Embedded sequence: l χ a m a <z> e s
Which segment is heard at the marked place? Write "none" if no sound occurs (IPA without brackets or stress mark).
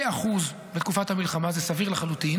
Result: z